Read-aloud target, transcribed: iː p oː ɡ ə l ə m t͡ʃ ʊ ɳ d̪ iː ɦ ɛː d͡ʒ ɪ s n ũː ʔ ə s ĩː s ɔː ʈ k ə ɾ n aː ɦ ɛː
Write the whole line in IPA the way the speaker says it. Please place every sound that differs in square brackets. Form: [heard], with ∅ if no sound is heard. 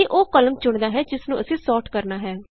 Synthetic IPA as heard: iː [ʔ] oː [k] ə l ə m t͡ʃ ʊ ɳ d̪ [aː] ɦ ɛː d͡ʒ ɪ s n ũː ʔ ə s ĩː s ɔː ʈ k ə ɾ n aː ɦ ɛː